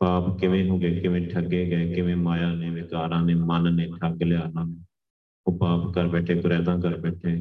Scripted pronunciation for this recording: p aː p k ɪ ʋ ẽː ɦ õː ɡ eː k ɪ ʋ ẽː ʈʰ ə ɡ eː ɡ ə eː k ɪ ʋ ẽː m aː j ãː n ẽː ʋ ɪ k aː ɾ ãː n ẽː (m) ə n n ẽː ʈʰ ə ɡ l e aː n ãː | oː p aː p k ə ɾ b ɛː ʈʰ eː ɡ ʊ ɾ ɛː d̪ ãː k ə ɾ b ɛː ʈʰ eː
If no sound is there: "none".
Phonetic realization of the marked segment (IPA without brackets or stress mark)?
m